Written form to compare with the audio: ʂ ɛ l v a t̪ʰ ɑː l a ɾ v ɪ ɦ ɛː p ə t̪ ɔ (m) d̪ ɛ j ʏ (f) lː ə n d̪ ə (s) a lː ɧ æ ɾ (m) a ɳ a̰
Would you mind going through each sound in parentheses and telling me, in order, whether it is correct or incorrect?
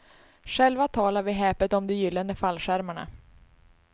correct, incorrect, incorrect, correct

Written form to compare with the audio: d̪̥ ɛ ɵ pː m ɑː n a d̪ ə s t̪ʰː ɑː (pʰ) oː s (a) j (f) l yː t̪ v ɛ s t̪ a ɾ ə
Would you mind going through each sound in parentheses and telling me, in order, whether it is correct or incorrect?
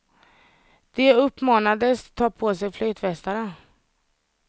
correct, incorrect, correct

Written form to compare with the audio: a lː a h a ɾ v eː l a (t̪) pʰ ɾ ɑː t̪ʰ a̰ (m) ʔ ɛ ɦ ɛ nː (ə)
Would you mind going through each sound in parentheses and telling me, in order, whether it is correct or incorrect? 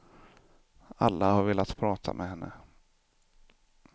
correct, correct, correct

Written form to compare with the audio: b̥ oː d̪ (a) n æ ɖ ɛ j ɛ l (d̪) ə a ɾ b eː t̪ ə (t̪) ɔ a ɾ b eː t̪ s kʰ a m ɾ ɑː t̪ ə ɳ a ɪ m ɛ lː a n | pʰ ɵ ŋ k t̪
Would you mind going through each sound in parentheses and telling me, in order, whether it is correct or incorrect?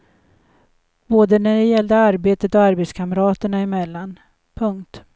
incorrect, correct, correct

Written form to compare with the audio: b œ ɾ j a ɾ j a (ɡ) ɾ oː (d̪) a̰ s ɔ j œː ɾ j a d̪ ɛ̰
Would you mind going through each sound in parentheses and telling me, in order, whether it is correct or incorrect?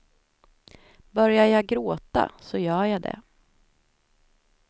correct, incorrect

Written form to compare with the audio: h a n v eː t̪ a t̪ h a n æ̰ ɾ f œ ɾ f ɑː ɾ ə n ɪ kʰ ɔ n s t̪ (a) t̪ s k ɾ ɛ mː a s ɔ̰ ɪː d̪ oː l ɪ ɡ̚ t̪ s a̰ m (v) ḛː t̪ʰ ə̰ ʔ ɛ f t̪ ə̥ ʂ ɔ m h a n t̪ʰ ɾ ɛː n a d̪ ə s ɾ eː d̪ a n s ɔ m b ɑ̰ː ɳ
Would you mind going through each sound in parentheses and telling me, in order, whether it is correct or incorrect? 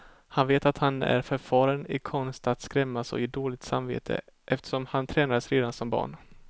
correct, correct

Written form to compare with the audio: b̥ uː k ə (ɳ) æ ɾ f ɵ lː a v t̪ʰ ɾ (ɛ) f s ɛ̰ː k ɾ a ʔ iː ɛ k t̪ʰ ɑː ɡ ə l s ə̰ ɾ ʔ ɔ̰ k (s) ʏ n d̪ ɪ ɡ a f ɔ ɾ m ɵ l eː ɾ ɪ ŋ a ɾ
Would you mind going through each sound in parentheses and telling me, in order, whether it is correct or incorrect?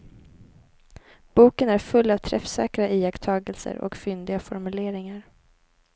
incorrect, correct, incorrect

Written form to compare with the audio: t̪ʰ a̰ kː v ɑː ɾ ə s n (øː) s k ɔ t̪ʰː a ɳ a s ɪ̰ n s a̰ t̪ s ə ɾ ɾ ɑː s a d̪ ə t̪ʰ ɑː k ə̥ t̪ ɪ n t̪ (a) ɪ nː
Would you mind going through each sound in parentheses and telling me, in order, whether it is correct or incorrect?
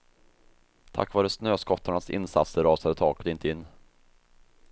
correct, incorrect

